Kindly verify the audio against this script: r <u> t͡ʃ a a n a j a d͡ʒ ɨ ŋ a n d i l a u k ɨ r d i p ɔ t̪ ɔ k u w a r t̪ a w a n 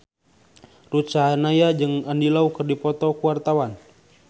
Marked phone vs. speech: correct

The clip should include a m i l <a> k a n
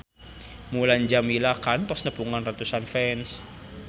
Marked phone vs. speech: correct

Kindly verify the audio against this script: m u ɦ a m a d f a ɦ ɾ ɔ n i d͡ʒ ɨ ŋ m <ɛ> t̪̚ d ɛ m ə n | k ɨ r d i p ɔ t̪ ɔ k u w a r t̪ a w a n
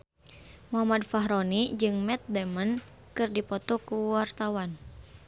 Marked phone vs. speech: correct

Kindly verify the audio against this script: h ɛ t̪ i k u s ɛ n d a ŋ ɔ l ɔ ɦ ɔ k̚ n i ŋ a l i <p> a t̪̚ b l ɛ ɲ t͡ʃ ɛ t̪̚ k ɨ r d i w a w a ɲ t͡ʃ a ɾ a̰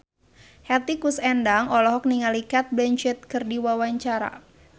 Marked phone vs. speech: incorrect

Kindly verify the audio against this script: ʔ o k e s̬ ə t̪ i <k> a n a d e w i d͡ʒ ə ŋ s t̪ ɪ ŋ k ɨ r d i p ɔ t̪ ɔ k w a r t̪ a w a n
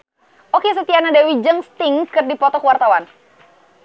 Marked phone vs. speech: incorrect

